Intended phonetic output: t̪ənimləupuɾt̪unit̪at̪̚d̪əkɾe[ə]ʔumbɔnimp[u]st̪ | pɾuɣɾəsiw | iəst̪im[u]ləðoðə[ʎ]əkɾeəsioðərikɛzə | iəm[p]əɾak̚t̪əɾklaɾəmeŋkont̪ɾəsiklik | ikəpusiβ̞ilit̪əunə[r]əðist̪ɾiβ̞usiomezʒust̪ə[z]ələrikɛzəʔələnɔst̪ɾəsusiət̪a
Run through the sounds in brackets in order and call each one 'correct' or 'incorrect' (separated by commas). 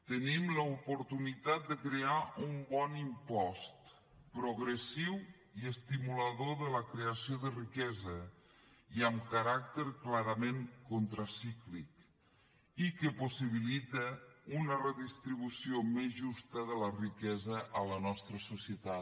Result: incorrect, incorrect, correct, incorrect, incorrect, correct, incorrect